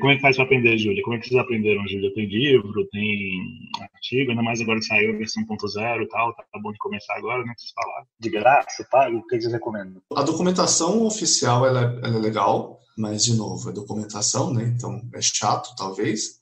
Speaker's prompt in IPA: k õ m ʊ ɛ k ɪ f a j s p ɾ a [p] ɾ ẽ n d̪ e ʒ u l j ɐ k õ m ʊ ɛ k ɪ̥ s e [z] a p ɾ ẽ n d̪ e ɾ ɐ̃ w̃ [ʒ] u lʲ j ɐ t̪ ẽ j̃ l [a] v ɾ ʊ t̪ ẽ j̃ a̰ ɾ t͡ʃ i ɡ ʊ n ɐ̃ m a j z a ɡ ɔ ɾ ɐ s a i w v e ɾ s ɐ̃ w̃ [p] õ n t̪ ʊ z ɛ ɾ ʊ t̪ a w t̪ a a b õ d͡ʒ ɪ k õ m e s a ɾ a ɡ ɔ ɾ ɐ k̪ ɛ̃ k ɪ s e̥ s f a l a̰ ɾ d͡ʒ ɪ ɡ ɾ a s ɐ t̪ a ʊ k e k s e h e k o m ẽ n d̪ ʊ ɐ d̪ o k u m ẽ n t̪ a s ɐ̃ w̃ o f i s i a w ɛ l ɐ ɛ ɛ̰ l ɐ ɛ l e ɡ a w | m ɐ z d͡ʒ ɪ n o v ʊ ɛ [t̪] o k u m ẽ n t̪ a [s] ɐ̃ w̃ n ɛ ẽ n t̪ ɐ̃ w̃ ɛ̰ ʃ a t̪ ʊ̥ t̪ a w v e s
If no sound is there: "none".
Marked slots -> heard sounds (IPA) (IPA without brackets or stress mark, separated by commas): p, z, ʒ, i, p, d̪, s